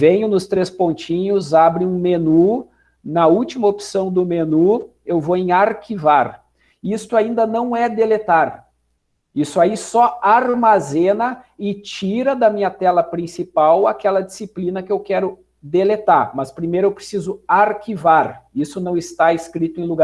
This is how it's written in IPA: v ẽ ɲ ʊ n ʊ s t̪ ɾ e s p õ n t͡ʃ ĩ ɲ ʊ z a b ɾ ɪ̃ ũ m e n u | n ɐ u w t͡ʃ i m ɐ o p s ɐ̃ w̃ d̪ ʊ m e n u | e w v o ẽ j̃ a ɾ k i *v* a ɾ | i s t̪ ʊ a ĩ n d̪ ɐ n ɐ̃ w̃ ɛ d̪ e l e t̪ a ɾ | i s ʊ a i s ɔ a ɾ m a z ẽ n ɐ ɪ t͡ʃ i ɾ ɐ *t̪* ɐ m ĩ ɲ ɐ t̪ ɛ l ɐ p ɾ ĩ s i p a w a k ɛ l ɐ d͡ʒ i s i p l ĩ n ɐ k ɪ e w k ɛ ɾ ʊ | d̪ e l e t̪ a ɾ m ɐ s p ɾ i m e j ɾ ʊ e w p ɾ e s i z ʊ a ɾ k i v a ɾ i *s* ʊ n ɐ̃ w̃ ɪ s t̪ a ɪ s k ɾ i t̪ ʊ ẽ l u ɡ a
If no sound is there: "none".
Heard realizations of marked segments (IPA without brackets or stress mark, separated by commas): v, d̪, s